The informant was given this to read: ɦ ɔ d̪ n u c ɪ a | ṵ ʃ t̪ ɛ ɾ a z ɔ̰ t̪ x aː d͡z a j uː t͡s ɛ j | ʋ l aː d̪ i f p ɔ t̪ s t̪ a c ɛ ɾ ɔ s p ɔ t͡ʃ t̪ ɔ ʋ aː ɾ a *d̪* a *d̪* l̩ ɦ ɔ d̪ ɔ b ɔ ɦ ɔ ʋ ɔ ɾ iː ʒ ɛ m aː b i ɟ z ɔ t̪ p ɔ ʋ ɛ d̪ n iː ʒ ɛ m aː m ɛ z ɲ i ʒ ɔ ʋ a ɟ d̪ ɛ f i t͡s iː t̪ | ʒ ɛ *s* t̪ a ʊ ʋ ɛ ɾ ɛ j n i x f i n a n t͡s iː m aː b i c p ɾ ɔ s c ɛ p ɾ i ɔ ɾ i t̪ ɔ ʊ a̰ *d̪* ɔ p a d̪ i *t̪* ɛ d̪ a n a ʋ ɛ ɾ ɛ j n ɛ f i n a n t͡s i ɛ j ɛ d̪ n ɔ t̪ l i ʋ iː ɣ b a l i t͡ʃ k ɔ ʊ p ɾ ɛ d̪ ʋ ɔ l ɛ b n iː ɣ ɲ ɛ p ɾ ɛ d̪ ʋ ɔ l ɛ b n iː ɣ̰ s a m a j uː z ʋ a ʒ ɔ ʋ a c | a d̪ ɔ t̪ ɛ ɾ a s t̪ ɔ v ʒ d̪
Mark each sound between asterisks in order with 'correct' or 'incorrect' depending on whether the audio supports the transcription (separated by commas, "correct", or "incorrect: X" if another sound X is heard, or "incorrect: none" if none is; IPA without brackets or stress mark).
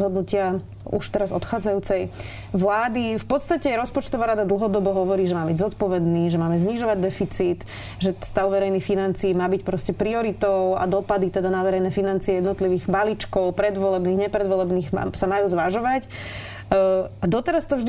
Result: correct, correct, correct, correct, correct